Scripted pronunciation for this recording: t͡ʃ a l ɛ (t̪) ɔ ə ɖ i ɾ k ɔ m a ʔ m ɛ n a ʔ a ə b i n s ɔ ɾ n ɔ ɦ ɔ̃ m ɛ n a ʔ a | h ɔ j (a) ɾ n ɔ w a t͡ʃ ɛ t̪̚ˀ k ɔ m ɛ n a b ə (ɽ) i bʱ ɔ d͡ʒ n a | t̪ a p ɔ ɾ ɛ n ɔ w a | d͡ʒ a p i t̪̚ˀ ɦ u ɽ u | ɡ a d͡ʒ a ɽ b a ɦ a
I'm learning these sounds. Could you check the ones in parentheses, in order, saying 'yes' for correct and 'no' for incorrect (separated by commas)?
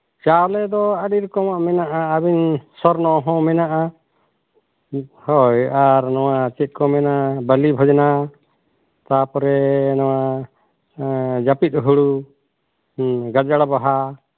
no, yes, no